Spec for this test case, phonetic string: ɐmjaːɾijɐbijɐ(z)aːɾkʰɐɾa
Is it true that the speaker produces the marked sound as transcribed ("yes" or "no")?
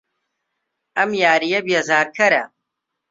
yes